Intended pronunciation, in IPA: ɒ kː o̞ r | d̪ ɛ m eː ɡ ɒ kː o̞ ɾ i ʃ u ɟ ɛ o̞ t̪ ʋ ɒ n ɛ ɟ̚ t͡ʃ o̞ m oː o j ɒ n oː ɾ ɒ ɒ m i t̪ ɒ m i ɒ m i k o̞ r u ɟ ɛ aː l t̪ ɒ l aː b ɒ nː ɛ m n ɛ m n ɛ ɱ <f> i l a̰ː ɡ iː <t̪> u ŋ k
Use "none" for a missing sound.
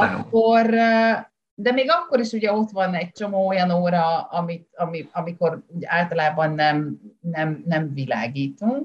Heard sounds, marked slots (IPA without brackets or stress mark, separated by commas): v, t̪